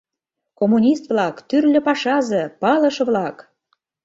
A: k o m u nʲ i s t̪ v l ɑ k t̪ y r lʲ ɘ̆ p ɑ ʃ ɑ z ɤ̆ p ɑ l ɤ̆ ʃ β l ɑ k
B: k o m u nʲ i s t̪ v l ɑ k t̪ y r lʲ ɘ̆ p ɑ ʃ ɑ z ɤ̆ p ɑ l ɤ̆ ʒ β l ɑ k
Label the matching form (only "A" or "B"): A